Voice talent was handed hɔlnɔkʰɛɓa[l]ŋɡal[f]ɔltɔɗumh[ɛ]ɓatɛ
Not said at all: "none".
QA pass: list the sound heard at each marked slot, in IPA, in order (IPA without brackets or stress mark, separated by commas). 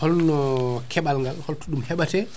l, h, ɛ